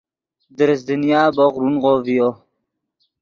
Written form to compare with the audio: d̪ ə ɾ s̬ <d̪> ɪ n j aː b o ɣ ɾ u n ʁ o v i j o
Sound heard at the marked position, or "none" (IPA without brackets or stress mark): d̪